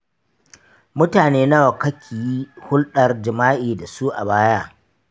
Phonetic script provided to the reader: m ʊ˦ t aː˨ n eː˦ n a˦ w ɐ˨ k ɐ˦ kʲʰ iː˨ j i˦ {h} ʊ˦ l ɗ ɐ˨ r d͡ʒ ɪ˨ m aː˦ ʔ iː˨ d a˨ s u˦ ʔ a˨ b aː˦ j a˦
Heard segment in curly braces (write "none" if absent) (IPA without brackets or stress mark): h